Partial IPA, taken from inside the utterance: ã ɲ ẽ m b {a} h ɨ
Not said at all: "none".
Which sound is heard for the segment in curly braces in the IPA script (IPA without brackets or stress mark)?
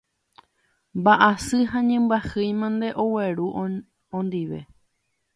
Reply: a